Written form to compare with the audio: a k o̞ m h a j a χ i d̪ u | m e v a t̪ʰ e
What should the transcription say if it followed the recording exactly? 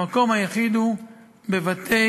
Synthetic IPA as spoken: a k o̞ m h a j a χ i d̪ u | b e v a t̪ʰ e